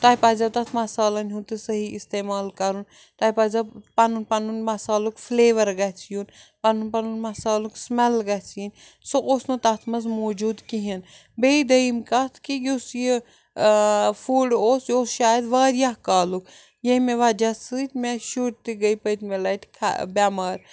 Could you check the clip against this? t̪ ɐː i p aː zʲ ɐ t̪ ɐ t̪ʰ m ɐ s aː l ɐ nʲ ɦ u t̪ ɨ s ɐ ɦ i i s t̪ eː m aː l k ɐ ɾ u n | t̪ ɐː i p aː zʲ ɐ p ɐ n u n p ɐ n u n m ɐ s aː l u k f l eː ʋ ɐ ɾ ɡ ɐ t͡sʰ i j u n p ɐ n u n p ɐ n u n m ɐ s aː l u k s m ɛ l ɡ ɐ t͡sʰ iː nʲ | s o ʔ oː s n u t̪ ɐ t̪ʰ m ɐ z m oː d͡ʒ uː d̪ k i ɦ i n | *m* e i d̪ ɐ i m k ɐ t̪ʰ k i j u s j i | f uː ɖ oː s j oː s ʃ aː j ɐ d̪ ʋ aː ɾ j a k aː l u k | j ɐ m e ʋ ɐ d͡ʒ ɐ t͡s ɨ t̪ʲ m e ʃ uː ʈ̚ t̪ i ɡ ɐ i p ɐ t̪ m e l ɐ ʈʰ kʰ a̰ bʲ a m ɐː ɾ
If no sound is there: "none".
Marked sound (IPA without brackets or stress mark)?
b